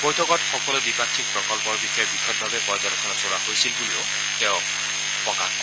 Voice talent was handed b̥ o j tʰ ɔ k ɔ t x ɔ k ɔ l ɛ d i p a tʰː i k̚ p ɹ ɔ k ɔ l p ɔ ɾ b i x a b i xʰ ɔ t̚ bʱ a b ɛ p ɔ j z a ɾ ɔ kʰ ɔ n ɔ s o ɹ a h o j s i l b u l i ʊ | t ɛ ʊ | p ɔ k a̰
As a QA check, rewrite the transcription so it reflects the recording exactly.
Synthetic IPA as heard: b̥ o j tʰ ɔ k ɔ t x ɔ k ɔ l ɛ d i p a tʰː i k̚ p ɹ ɔ k ɔ l p ɔ ɹ b i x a b i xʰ ɔ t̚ bʱ a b ɛ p ɔ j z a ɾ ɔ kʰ ɔ n ɔ s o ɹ a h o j s i l b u l i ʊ | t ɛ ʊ | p ɔ k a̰